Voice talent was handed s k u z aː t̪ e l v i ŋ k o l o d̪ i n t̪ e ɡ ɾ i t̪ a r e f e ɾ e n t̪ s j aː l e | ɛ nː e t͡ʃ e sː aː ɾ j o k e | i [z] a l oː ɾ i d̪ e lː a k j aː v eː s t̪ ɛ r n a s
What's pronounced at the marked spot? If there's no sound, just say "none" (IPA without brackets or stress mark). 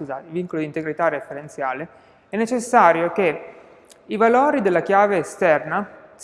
v